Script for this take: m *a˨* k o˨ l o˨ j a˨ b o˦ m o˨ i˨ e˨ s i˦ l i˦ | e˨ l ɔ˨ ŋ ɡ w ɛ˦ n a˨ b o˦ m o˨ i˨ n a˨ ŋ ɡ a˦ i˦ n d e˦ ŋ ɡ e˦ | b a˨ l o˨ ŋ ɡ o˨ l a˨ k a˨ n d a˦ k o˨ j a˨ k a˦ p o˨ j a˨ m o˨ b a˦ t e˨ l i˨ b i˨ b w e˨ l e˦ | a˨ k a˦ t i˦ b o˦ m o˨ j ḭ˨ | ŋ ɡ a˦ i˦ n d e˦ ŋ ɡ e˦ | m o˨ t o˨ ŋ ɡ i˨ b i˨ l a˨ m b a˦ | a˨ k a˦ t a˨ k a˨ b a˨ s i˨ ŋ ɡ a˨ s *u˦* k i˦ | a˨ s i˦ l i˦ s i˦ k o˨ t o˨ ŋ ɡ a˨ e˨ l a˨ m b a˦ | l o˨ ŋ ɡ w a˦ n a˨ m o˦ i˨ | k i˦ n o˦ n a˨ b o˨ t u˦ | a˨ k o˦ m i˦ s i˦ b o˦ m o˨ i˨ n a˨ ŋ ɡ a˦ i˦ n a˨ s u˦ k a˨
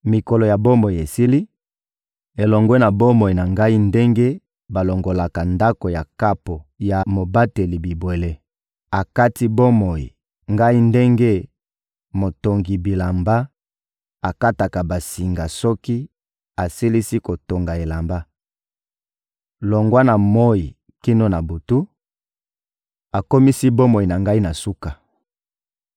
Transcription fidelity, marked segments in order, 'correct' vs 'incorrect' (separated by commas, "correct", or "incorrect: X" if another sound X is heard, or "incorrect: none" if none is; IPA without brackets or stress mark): incorrect: i˨, incorrect: ɔ˦